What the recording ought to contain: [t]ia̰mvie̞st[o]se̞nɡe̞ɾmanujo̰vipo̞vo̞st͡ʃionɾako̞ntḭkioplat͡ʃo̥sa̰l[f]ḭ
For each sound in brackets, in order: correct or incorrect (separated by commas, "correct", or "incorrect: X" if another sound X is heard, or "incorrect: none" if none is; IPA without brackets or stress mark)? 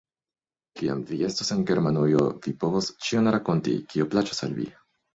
incorrect: k, correct, incorrect: v